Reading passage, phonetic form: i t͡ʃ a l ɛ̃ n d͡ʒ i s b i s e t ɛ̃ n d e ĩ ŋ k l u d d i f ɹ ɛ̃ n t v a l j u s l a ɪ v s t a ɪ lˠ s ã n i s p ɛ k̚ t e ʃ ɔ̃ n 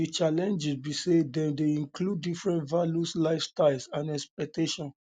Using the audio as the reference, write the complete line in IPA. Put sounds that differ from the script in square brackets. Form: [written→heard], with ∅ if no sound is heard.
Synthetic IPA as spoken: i t͡ʃ a l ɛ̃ n d͡ʒ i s b i s e [t→d] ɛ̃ n d e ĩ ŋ k l u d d i f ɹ ɛ̃ n t v a l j u s l a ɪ [v→f] s t a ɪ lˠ s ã n [i→ɛ] s p ɛ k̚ t e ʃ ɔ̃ n